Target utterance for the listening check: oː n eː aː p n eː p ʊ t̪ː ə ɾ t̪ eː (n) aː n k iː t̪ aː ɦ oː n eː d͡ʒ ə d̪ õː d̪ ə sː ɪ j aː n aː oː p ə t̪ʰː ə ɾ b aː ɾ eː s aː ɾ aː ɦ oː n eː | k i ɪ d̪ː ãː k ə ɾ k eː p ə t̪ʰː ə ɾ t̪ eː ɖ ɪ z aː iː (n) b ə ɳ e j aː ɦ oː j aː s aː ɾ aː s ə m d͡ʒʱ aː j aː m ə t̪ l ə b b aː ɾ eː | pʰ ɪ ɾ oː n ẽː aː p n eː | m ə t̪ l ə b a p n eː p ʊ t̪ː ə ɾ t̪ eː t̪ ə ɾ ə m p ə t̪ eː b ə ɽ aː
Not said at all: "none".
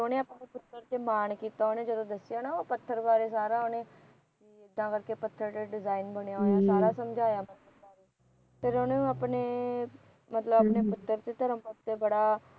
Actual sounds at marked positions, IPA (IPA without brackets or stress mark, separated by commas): m, n